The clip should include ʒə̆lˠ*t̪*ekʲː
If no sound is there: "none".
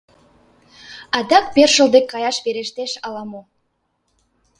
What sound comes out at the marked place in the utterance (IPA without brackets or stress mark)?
d̪